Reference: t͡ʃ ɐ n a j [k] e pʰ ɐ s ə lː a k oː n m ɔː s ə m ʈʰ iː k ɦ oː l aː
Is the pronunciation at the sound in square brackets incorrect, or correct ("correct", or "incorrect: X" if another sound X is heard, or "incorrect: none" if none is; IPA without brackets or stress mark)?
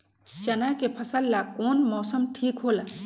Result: correct